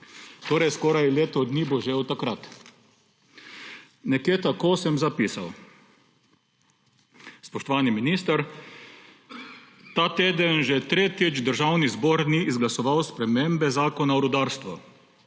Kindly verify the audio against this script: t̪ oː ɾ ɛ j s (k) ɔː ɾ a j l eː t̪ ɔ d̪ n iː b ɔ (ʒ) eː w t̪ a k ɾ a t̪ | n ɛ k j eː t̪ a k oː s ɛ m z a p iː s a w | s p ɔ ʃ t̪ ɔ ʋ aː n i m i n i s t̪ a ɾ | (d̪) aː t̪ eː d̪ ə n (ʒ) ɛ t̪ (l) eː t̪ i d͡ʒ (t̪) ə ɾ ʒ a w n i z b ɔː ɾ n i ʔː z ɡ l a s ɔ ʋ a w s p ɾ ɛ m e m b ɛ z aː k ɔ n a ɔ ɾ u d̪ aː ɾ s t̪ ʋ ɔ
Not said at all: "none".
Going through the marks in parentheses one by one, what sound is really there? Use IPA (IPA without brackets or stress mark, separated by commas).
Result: k, ʒ, t̪, ʒ, ɾ, d̪